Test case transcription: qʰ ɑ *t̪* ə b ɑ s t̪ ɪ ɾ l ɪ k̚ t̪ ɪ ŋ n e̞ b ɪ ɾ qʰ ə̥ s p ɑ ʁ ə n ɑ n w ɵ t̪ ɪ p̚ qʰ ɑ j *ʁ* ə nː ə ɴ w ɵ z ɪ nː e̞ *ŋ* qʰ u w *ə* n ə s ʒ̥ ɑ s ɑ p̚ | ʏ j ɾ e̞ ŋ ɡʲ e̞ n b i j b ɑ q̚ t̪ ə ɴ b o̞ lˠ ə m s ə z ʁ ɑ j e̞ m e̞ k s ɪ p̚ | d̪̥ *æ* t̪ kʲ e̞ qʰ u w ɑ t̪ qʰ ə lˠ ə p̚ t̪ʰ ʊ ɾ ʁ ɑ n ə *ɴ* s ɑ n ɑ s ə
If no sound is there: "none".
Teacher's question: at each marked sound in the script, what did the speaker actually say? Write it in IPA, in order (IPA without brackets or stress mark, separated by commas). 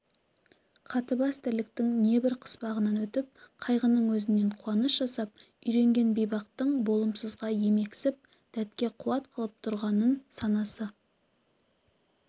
t̪, ʁ, ɴ, ɑ, æ, n